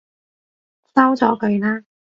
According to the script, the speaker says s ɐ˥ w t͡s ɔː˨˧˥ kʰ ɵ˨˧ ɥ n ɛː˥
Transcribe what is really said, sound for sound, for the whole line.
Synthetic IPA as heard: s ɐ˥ w t͡s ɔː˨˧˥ k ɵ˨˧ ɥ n aː˥